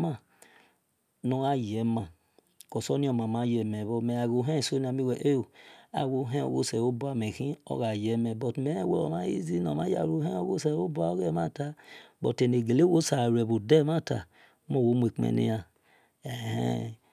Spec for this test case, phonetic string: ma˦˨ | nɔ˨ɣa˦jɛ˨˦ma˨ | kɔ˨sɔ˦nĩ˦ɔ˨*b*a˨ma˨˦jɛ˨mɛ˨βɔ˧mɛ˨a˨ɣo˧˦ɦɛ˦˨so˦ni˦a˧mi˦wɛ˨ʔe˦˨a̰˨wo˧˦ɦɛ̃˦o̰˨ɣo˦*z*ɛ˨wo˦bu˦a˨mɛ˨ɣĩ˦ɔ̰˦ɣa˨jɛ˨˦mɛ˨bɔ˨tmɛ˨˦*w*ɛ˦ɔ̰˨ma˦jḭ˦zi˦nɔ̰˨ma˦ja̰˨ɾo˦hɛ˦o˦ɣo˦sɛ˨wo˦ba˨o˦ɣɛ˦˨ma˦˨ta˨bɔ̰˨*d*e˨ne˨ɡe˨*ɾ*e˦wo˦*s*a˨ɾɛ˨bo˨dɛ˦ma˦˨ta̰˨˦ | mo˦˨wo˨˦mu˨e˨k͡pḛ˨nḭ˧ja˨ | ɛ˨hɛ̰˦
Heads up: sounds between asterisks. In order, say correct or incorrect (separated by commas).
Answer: incorrect, incorrect, correct, incorrect, incorrect, correct